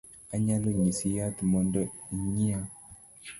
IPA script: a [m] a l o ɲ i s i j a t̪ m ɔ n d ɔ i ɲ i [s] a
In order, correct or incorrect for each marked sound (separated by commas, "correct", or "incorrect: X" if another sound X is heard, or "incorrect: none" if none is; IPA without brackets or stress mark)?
incorrect: ɲ, incorrect: none